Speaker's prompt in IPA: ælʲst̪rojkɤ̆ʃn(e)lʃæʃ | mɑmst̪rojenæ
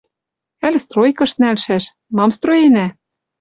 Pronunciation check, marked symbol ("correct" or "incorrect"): incorrect